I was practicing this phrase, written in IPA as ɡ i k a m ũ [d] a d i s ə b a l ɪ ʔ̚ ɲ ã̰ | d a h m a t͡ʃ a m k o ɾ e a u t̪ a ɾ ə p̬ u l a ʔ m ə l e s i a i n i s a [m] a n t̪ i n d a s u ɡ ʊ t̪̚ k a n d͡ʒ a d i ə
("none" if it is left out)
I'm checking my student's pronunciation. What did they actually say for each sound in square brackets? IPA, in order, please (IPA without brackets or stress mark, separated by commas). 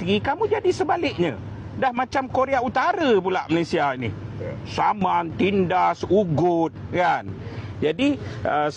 d͡ʒ, m